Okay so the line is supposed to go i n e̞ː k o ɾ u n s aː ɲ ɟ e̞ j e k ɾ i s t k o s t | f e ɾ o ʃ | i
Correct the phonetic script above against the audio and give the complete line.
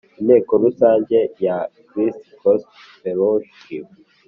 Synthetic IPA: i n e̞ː k o ɾ u s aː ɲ ɟ e̞ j a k ɾ i s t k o s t | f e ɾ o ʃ | i